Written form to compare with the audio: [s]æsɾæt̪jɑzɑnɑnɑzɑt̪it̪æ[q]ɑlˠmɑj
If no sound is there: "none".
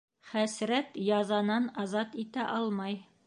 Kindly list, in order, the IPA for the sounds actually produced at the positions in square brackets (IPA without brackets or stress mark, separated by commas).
χ, ʔ